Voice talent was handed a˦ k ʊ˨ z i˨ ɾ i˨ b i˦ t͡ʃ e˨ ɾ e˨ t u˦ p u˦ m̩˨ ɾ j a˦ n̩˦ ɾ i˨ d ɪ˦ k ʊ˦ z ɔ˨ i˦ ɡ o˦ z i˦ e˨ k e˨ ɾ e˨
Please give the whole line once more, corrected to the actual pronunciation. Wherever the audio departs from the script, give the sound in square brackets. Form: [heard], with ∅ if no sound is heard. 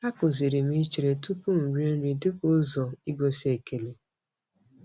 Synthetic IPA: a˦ k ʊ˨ z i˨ ɾ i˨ [m] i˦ t͡ʃ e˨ ɾ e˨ t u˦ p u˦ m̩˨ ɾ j [e˦] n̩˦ ɾ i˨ d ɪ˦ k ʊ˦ z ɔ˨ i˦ ɡ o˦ [s] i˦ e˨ k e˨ [l] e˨

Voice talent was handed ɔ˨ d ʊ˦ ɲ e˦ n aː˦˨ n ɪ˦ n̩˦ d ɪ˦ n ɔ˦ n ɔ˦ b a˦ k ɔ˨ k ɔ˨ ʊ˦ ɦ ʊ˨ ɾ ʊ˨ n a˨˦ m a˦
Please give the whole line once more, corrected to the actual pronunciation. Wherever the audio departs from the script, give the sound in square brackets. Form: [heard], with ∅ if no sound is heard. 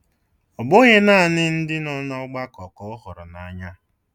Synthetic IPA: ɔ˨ [b] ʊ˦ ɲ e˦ n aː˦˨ n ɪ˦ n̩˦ d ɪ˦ n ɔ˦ n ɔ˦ [ɡ͡b] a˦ k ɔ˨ k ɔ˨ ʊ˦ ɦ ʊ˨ ɾ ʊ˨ n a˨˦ [ɲ] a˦

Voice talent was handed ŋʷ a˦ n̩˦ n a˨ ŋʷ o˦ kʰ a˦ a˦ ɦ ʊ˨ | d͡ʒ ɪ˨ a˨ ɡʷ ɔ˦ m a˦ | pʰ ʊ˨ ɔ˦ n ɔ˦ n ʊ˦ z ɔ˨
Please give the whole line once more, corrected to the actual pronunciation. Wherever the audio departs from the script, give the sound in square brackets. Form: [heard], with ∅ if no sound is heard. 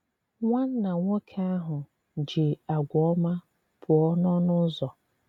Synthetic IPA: ŋʷ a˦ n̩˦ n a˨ ŋʷ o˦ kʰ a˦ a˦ ɦ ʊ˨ | d͡ʒ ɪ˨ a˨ ɡʷ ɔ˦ m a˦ | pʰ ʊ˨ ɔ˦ n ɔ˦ n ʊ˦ z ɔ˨

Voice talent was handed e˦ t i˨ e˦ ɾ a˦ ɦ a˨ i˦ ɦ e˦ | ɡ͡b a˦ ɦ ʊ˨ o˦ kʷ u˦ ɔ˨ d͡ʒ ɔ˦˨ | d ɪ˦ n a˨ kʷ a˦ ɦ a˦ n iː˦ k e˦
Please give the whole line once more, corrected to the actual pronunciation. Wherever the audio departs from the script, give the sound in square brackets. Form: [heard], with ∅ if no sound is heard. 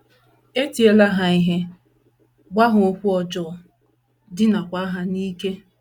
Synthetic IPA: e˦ t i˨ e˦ [l] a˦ ɦ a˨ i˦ ɦ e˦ | ɡ͡b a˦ ɦ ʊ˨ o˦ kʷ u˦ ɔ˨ d͡ʒ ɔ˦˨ | d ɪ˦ n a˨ kʷ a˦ ɦ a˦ n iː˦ k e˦

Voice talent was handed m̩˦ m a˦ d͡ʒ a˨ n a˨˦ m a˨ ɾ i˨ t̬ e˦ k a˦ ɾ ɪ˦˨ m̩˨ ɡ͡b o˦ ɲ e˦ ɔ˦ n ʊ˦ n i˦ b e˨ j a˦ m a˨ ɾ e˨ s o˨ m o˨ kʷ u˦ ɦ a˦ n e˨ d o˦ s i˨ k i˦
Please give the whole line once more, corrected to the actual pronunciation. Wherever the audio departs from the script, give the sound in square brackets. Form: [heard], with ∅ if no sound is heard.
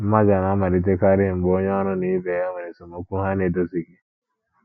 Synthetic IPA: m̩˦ m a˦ d͡ʒ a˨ n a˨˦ m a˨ ɾ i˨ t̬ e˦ k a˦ ɾ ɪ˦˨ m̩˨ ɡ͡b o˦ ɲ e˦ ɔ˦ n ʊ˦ n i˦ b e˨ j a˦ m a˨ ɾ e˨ s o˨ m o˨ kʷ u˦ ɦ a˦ n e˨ d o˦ s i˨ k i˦

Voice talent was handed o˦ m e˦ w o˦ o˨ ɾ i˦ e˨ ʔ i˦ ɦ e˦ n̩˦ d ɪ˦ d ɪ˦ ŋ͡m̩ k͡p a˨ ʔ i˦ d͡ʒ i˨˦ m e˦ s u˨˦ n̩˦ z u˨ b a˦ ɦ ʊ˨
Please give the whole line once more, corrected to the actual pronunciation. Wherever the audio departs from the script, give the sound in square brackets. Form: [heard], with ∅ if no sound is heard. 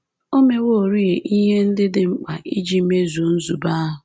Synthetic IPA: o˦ m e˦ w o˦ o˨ ɾ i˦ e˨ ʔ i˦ ɦ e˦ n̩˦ d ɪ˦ d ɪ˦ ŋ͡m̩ k͡p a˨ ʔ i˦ d͡ʒ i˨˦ m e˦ [z] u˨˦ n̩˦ z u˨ b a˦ ɦ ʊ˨

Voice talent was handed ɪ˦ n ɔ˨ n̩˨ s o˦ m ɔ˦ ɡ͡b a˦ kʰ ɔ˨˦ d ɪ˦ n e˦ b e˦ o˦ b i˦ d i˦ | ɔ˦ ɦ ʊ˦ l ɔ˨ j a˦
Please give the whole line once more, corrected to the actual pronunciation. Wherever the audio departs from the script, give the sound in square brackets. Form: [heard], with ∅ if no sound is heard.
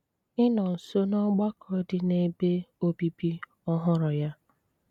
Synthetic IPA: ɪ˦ n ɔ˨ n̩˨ s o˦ [n] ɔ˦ ɡ͡b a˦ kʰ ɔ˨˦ d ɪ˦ n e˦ b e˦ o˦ b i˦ [b] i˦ | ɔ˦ ɦ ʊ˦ [ɾ] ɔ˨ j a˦

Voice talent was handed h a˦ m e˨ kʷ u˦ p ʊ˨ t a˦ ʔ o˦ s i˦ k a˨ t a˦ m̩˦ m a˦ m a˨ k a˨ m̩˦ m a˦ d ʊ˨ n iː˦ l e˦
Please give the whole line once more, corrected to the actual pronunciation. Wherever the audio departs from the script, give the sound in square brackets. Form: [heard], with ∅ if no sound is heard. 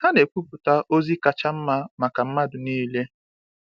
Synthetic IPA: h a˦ [n] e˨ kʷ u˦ p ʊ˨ t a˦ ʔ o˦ [z] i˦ k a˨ [t͡ʃ] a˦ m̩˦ m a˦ m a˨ k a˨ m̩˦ m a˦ d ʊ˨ n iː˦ l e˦

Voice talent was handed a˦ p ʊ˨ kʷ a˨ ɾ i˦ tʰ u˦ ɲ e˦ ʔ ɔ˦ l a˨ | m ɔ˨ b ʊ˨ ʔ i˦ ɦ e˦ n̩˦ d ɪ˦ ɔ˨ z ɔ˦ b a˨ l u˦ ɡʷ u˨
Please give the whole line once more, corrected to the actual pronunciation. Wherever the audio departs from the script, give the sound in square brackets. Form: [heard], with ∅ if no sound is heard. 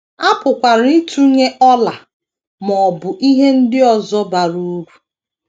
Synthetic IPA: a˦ p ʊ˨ kʷ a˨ ɾ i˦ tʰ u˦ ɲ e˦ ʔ ɔ˦ l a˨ | m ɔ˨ b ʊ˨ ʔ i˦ ɦ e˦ n̩˦ d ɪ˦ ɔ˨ z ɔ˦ b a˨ [ɾ] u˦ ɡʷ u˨

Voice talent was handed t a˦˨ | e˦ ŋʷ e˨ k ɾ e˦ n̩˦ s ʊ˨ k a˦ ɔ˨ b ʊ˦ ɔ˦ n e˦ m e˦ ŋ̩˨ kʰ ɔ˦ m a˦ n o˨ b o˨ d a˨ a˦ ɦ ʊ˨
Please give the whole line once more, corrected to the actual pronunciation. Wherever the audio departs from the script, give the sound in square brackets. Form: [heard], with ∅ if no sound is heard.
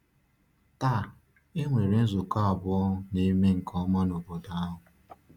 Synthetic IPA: t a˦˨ | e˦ ŋʷ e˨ [∅] ɾ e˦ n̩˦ [z] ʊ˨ k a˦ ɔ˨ b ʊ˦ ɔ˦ n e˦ m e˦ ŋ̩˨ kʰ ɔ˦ m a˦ n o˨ b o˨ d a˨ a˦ ɦ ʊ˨

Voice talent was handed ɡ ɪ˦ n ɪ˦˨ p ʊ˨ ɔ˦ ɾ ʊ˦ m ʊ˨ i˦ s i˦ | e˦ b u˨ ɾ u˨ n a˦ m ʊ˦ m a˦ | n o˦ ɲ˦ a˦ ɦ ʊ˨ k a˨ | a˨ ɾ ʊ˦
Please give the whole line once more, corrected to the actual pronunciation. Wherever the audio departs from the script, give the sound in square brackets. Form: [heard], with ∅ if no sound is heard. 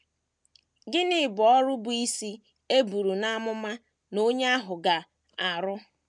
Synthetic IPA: ɡ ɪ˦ n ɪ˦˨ [b] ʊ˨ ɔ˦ ɾ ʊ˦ [b] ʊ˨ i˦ s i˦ | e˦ b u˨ ɾ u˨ n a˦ m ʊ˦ m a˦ | n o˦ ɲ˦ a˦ ɦ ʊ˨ [ɡ] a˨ | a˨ ɾ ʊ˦

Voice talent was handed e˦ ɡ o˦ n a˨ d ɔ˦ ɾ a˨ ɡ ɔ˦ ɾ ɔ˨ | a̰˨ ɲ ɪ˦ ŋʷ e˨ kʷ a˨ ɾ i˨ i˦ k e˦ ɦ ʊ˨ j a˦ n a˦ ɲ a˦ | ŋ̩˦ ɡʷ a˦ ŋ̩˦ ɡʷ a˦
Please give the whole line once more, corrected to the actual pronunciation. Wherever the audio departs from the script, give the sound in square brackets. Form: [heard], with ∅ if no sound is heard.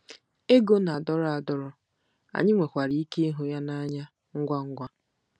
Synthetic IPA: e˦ ɡ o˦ n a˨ d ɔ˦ ɾ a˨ [d] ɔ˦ ɾ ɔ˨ | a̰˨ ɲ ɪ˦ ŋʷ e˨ kʷ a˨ ɾ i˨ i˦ k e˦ ɦ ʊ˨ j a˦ n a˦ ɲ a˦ | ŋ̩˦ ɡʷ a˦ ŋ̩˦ ɡʷ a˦

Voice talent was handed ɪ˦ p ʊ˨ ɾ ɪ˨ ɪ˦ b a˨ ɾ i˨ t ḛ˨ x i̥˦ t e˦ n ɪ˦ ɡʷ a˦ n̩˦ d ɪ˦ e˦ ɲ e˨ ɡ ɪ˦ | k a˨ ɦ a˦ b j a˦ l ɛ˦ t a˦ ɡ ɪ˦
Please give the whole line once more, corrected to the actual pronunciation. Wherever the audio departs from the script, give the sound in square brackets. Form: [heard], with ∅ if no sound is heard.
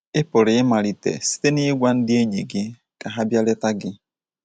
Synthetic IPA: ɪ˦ p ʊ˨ ɾ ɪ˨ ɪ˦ [m] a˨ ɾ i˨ t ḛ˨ [s] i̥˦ t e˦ n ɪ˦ ɡʷ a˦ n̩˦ d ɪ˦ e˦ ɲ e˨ ɡ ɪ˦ | k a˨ ɦ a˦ b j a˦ l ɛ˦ t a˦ ɡ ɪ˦

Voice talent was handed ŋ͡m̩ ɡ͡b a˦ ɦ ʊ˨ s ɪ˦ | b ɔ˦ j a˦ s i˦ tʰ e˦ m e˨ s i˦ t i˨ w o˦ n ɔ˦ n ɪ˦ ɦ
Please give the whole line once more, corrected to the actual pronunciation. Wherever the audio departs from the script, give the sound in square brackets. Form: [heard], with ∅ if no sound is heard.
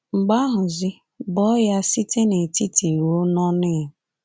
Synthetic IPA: ŋ͡m̩ ɡ͡b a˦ ɦ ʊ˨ [z] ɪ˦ | b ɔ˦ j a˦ s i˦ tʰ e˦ [n] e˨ [t] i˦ t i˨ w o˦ n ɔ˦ n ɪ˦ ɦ

